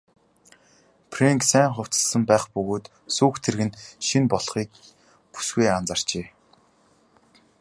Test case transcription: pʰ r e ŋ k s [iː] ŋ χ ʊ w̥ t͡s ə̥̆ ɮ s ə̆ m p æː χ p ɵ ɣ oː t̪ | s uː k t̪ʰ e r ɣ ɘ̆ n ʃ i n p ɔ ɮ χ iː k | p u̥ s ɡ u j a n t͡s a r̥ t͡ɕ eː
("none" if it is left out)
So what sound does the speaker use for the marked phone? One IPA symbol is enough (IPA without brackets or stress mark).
æː